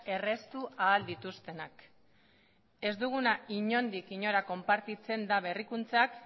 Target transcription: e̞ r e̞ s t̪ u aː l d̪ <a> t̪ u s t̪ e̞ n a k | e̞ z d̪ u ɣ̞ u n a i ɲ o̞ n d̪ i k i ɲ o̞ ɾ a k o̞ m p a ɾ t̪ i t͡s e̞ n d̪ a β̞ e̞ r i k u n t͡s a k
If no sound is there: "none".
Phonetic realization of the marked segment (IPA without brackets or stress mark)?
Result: i